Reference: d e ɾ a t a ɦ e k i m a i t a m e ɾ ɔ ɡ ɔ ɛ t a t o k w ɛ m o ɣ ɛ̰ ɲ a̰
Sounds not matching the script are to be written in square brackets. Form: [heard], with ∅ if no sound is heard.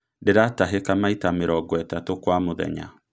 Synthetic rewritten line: d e ɾ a t a ɦ e k [a] m a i t a m e ɾ ɔ ɡ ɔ ɛ t a t o k w [a] m o [ð] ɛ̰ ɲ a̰